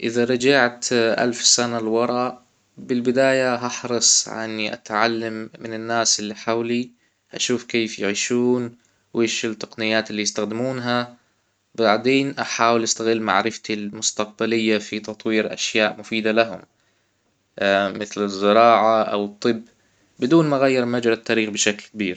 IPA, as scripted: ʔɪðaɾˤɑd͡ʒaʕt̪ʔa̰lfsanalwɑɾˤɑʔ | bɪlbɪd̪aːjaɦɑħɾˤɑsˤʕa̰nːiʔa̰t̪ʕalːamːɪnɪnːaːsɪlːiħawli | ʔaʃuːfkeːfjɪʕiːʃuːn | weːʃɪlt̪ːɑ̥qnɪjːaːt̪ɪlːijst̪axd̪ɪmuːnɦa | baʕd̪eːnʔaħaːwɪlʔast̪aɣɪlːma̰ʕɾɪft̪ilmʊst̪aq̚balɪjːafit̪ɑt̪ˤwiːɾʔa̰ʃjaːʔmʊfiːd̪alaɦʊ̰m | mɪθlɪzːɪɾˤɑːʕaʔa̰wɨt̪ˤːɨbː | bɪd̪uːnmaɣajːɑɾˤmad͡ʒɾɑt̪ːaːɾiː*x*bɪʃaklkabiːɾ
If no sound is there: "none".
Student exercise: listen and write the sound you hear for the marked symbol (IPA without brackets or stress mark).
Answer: x